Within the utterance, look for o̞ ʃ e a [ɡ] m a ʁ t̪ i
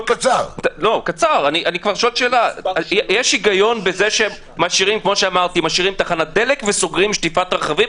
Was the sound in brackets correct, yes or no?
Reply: no